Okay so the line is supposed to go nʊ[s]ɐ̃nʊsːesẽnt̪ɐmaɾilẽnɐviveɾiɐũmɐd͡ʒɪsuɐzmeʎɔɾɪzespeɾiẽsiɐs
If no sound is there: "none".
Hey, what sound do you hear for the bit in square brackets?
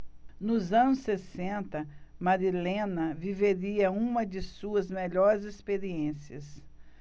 z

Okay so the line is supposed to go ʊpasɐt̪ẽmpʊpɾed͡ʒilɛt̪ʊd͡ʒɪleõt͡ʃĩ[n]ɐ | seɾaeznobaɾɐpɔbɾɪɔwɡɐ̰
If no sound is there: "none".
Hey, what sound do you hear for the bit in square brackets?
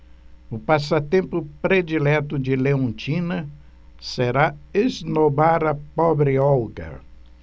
n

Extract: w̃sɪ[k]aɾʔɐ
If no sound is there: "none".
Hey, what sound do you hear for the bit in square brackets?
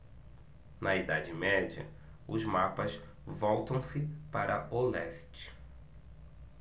p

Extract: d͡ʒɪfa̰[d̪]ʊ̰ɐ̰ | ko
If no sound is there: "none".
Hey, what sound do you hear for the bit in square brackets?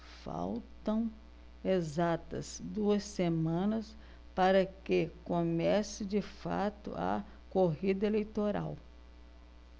t̪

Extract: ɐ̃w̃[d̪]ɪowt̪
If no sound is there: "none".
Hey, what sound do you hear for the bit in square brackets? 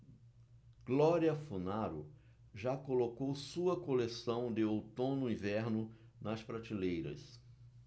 d̪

